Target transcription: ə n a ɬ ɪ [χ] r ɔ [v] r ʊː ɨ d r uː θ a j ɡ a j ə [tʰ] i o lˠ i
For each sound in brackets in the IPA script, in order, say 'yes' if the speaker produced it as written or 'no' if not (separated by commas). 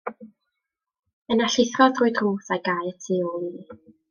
no, no, yes